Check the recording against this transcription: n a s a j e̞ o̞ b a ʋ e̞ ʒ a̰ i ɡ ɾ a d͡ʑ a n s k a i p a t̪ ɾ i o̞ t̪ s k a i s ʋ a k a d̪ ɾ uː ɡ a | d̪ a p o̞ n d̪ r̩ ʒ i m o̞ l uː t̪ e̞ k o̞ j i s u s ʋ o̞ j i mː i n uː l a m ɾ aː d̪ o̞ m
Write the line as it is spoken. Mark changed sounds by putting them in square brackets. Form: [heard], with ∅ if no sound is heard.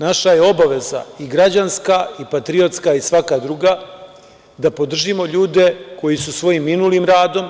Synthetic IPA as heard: n a [ʃ] a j e̞ o̞ b a ʋ e̞ [z] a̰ i ɡ ɾ a d͡ʑ a n s k a i p a t̪ ɾ i o̞ t̪ s k a i s ʋ a k a d̪ ɾ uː ɡ a | d̪ a p o̞ [∅] d̪ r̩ ʒ i m o̞ [ʎ] uː [d̪] e̞ k o̞ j i s u s ʋ o̞ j i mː i n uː l [i] m ɾ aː d̪ o̞ m